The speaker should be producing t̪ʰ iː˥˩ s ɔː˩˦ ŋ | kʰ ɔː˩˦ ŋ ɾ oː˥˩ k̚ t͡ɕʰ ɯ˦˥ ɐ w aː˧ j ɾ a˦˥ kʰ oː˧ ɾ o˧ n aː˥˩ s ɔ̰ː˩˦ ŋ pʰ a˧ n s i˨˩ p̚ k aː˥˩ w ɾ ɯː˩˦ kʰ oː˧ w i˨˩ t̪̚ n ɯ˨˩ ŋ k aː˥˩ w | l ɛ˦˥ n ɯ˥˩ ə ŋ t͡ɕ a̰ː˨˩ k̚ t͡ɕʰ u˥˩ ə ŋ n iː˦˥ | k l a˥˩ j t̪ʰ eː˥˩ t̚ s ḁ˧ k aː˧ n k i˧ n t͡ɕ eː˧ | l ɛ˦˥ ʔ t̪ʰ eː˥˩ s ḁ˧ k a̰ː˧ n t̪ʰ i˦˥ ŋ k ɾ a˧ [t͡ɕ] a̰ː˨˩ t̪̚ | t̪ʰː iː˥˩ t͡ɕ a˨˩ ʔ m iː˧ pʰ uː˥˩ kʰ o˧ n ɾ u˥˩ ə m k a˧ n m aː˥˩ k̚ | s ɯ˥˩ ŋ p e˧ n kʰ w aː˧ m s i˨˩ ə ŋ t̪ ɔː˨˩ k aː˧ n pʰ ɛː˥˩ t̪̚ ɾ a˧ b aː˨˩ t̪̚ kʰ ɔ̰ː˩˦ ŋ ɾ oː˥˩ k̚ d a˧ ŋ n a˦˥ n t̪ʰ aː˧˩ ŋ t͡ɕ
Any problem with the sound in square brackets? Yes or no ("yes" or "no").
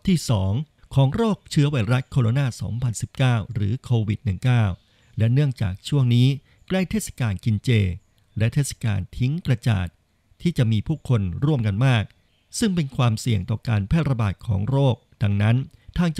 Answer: no